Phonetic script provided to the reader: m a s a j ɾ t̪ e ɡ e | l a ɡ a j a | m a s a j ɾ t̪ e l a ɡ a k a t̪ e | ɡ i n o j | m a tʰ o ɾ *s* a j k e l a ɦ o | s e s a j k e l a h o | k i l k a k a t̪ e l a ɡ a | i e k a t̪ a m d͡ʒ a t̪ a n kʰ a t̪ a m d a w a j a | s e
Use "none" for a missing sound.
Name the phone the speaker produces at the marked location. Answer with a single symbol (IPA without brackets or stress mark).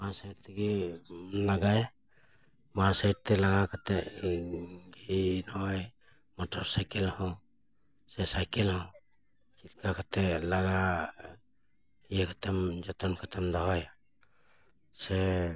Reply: s